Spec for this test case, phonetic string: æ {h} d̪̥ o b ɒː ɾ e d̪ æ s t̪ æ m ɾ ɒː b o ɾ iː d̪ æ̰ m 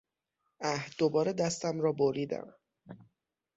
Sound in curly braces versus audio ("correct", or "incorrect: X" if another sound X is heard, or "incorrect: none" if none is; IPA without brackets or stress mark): correct